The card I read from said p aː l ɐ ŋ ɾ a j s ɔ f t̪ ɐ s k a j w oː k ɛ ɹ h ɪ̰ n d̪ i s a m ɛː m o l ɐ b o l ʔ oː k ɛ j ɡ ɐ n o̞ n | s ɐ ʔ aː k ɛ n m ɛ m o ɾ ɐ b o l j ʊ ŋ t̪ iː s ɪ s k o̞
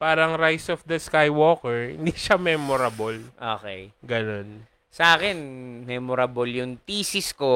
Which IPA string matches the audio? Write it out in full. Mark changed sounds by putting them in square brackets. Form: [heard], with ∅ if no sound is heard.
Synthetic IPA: p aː [ɾ] ɐ ŋ ɾ a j s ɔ f [d̪] ɐ s k a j w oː k ɛ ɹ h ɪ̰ n d̪ i [ʃ] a m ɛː m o [ɾ] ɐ b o l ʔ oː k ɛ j ɡ ɐ n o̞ n | s ɐ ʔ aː k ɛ n m ɛ m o ɾ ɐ b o l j ʊ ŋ t̪ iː s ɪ s k o̞